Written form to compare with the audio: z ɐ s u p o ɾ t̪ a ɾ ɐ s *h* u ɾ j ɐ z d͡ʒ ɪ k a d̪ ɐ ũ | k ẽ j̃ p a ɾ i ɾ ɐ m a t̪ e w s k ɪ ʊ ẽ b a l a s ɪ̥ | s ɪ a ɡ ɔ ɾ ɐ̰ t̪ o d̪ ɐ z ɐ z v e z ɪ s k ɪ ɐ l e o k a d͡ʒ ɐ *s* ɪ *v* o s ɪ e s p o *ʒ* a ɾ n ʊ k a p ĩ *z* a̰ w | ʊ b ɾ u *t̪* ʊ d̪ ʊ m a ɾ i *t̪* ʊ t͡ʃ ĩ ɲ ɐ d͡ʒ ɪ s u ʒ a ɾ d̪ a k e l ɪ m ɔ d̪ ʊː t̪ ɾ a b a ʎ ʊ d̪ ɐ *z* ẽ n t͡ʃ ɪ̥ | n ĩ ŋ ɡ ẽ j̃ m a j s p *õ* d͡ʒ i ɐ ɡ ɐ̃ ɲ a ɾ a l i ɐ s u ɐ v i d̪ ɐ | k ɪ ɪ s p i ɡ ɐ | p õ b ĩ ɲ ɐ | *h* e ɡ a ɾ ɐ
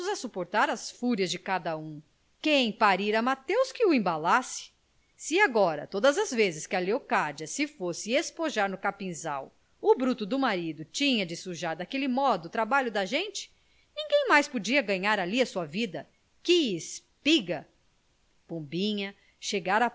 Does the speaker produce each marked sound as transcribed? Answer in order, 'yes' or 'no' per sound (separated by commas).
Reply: no, yes, no, yes, yes, yes, no, no, no, no